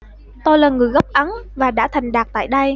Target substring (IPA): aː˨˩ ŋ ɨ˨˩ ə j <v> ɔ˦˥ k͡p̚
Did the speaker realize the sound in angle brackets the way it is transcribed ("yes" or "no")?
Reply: no